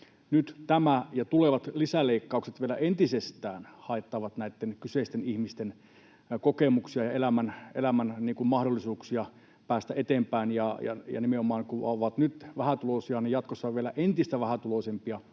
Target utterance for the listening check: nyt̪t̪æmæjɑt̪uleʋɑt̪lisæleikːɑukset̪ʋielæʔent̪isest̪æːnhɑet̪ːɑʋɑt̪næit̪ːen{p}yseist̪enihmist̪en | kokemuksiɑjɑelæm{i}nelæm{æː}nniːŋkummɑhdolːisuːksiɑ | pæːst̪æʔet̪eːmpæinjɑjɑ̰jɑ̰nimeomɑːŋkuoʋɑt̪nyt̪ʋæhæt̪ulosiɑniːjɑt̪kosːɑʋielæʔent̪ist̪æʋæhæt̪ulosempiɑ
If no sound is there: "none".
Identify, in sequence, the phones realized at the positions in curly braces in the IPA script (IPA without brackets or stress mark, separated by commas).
k, æ, æ